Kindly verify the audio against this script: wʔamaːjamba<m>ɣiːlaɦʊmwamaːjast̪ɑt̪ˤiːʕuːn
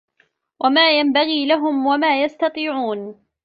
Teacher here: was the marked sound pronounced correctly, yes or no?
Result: no